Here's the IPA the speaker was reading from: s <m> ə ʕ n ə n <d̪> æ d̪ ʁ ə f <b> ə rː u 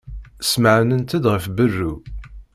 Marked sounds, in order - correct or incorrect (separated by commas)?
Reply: correct, incorrect, correct